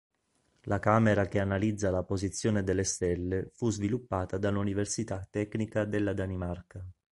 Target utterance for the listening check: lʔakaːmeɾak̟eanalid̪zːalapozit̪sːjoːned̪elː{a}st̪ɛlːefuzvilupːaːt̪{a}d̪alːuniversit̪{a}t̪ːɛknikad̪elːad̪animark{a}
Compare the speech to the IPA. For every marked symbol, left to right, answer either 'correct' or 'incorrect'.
incorrect, correct, correct, correct

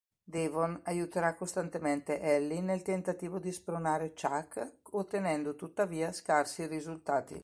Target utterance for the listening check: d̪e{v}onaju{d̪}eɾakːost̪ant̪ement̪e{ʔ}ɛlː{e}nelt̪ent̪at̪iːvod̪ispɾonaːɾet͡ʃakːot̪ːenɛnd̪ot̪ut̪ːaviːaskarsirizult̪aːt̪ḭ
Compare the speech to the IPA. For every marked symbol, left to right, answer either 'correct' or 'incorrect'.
correct, incorrect, correct, incorrect

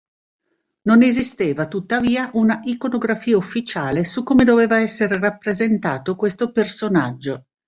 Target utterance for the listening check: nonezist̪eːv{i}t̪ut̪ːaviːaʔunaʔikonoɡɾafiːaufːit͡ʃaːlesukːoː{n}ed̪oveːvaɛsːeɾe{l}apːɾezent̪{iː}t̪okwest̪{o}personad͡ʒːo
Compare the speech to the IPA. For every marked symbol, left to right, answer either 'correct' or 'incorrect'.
incorrect, incorrect, incorrect, incorrect, correct

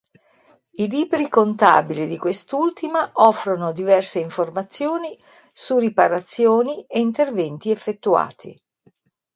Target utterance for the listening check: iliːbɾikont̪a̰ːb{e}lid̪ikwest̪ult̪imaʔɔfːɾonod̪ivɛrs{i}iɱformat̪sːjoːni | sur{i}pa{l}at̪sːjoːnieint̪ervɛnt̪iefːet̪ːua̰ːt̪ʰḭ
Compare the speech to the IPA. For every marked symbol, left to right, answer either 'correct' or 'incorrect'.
incorrect, incorrect, correct, incorrect

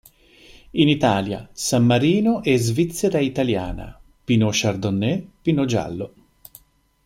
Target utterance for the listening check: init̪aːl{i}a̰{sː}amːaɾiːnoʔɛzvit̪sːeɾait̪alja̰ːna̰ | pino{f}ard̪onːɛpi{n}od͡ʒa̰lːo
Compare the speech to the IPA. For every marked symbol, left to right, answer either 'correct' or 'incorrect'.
incorrect, incorrect, incorrect, correct

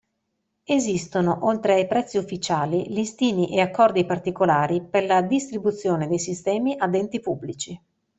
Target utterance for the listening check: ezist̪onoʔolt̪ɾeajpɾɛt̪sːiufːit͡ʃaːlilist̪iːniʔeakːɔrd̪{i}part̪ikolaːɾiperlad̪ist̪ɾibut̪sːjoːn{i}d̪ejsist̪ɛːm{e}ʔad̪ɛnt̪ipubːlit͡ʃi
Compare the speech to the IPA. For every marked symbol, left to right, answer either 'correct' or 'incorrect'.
correct, incorrect, incorrect

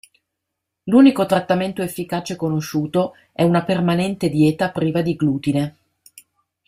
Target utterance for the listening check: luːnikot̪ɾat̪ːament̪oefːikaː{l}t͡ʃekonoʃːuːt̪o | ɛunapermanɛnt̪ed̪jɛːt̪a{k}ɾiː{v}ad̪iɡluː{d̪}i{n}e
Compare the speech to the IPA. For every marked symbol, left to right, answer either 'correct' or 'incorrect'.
incorrect, incorrect, correct, incorrect, correct

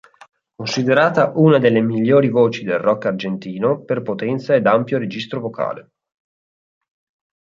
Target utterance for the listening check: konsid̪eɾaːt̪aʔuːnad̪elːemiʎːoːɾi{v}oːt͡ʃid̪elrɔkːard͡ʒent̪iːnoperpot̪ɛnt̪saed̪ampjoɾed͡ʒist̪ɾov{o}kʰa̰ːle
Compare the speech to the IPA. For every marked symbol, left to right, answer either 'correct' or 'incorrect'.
correct, correct

